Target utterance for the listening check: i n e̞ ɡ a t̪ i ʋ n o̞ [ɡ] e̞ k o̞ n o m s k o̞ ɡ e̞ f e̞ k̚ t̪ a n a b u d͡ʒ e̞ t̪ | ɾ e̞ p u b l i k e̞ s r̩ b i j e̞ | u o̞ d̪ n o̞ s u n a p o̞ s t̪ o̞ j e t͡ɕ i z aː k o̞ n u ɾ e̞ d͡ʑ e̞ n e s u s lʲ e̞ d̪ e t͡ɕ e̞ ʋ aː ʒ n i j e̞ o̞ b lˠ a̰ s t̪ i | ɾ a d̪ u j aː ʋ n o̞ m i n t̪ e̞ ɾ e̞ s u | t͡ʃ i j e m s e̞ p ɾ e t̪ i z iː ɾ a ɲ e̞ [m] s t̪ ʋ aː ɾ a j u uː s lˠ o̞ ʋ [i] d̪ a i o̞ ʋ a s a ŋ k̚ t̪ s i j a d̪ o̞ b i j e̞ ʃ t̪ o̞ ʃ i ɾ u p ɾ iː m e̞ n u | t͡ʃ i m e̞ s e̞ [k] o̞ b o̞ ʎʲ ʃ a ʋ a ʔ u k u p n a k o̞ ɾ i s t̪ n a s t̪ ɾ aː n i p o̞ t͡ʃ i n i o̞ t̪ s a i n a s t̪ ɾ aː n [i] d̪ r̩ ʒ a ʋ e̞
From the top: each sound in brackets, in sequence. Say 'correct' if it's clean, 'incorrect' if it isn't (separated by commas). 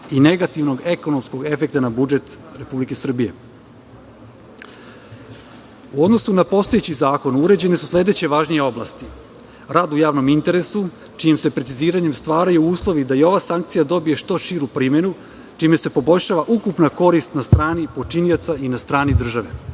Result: correct, correct, correct, incorrect, correct